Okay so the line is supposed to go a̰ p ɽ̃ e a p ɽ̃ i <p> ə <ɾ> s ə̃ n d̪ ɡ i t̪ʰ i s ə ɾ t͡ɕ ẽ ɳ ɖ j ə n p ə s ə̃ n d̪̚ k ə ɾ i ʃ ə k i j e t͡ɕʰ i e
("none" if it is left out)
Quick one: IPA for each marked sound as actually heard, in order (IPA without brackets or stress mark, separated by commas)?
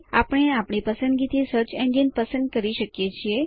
p, none